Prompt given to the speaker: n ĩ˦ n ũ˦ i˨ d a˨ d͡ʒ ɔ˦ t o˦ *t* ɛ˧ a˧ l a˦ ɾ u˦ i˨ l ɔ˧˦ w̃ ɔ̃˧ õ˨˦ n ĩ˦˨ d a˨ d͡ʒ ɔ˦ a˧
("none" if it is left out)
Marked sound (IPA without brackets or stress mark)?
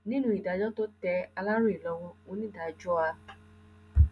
t